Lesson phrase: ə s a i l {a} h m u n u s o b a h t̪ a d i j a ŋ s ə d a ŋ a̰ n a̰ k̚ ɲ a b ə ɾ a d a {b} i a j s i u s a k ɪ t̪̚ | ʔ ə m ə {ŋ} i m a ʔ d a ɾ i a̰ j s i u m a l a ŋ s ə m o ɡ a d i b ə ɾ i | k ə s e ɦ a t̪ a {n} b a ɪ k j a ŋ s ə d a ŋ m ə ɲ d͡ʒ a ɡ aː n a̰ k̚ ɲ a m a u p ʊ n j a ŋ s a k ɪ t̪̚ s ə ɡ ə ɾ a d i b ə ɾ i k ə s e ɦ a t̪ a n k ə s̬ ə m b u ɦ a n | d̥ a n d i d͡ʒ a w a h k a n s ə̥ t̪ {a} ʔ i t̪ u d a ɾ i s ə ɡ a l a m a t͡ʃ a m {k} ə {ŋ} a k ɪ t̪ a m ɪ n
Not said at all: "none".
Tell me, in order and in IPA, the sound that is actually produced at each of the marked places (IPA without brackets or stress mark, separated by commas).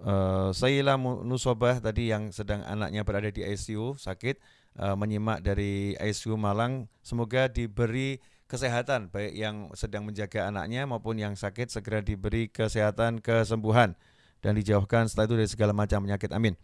a, d, ɲ, n, a, p, ɲ